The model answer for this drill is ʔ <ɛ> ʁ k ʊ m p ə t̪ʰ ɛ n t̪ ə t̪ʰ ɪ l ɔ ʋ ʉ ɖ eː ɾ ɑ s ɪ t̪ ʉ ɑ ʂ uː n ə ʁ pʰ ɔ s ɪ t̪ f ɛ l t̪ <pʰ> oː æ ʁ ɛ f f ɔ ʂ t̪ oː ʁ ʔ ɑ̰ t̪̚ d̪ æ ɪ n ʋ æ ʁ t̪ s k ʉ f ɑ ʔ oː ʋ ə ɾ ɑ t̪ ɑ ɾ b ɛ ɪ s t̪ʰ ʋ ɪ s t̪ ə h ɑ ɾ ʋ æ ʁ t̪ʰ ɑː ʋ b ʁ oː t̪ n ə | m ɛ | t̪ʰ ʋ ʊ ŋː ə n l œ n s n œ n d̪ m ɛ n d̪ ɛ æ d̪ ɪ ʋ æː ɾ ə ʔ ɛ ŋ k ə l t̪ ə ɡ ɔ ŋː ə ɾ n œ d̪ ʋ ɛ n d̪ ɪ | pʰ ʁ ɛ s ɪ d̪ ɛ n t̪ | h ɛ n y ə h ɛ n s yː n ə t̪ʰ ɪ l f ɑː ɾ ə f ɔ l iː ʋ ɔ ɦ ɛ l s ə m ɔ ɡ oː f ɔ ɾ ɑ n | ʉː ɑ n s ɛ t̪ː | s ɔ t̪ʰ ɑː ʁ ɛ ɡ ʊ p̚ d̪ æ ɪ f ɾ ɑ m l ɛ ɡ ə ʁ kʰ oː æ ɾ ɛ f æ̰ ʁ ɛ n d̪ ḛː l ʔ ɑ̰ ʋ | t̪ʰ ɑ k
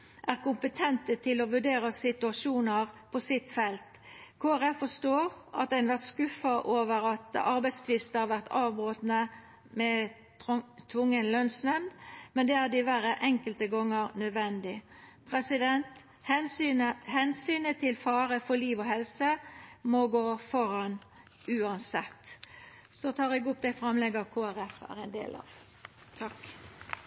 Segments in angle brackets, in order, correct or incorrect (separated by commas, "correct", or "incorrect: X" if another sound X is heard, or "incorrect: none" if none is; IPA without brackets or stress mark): incorrect: æ, incorrect: kʰ